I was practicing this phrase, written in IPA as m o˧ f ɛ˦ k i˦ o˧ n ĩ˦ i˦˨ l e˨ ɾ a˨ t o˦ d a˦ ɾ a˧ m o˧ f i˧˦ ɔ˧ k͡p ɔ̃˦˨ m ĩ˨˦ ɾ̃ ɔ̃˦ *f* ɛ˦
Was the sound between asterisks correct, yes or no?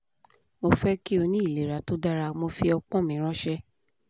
no